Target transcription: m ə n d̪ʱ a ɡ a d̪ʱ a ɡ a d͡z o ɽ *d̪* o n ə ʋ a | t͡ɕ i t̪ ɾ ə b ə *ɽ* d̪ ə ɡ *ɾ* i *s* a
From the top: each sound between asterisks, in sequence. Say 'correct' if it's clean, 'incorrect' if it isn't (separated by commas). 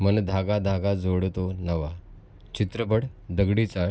incorrect, correct, incorrect, incorrect